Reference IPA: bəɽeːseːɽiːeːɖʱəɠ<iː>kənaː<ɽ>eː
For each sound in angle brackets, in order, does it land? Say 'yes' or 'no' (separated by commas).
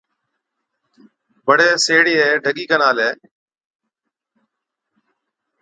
yes, no